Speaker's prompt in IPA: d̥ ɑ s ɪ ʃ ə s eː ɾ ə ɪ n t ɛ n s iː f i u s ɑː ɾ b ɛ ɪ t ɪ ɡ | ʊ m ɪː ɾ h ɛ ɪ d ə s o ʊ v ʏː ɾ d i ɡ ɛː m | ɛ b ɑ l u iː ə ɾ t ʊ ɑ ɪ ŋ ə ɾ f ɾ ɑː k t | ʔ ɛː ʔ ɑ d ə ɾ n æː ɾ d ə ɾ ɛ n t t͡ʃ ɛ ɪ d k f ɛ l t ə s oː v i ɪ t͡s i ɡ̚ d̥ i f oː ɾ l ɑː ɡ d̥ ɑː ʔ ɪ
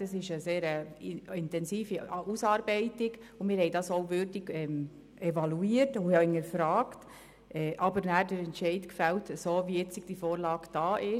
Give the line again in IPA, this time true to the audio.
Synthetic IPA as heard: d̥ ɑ s ɪ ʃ ə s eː ɾ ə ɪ n t ɛ n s iː f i u s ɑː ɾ b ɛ ɪ t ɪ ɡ | ʊ m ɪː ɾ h ɛ ɪ d ɑ s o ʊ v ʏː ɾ d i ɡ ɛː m | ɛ v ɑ l u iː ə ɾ t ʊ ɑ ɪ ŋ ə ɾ f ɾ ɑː k t | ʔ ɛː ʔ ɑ b ə ɾ n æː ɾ d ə ɾ ɛ n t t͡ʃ ɛ ɪ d k f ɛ l t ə s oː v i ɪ t͡s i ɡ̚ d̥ i f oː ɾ l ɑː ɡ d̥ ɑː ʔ ɪ